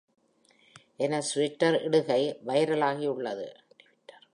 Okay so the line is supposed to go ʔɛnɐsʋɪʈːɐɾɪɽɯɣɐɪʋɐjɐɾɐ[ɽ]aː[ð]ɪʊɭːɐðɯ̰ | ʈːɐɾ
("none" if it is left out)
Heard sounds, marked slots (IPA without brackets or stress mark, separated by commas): l, ɣ